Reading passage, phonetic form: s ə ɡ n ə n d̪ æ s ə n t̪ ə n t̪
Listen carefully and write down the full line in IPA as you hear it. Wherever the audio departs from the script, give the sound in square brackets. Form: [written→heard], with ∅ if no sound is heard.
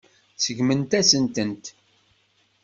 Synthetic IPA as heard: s ə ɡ [n→m] ə n [d̪→t̪] æ s ə n t̪ ə n t̪